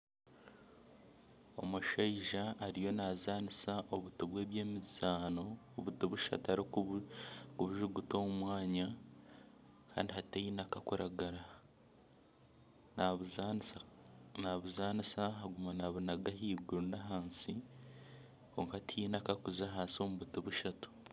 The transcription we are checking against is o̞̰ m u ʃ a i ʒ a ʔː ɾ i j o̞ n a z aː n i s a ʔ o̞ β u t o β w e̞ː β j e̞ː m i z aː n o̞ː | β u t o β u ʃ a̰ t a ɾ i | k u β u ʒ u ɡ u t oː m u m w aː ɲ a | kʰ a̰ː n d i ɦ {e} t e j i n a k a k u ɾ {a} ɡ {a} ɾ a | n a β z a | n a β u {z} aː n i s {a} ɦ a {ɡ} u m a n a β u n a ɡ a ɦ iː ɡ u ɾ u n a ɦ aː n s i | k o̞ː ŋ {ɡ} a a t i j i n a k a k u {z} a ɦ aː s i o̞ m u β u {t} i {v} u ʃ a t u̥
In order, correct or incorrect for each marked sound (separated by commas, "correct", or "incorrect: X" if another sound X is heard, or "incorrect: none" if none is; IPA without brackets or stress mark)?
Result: incorrect: a, correct, correct, correct, correct, correct, incorrect: k, correct, correct, incorrect: β